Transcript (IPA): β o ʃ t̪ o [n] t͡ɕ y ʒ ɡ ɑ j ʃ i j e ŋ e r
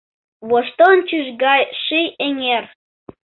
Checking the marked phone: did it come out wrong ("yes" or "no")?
no